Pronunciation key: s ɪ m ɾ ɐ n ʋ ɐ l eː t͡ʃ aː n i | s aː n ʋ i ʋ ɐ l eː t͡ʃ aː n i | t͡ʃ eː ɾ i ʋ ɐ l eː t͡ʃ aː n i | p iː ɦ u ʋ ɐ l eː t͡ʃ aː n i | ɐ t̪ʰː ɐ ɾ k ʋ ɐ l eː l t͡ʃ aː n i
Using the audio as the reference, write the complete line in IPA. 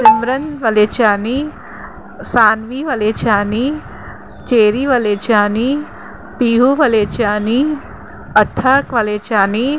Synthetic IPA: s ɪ m ɾ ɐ n ʋ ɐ l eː t͡ʃ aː n i | s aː n ʋ i ʋ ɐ l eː t͡ʃ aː n i | t͡ʃ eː ɾ i ʋ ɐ l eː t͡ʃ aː n i | p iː ɦ u ʋ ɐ l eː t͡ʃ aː n i | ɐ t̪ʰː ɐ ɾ k ʋ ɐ l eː t͡ʃ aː n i